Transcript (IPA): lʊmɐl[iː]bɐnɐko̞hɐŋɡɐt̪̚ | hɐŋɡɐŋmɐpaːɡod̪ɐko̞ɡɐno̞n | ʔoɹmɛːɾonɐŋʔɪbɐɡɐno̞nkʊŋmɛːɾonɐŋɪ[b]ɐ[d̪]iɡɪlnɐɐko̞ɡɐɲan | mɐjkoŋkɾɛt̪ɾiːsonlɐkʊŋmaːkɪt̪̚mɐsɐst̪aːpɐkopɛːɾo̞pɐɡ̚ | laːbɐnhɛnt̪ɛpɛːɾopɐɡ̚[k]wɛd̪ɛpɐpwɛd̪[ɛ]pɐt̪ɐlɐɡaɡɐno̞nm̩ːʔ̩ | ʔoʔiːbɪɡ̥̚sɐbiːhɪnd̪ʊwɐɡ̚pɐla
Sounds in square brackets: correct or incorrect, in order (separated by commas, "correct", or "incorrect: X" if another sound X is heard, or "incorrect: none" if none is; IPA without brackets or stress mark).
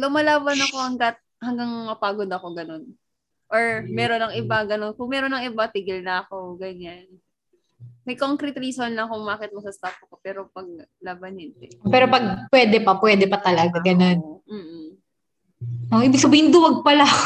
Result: incorrect: aː, correct, incorrect: t̪, incorrect: p, correct